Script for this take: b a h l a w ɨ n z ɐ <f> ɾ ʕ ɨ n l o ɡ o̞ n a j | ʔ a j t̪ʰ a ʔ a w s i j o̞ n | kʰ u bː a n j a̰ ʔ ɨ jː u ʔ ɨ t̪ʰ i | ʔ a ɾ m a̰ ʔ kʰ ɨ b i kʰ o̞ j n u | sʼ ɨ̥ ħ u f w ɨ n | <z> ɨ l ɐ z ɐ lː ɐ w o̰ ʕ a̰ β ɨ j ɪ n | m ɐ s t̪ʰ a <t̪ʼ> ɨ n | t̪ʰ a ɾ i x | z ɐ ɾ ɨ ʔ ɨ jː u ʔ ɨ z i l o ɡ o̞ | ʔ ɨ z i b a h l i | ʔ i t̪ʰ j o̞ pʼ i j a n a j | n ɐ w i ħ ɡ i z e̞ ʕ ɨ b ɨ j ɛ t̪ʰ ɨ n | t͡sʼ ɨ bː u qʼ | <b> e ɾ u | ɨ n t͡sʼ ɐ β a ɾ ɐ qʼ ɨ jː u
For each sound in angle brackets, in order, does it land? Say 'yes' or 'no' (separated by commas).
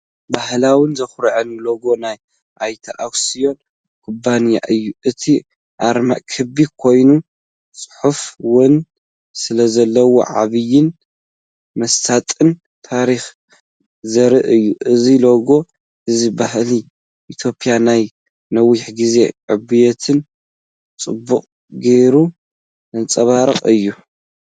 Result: no, no, yes, no